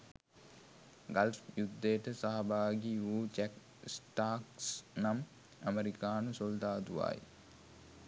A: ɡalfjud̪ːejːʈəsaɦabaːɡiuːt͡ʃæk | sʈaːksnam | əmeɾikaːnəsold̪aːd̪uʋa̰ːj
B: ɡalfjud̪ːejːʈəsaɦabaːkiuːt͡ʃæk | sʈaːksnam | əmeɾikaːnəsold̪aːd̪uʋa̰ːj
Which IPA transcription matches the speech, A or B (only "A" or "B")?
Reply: A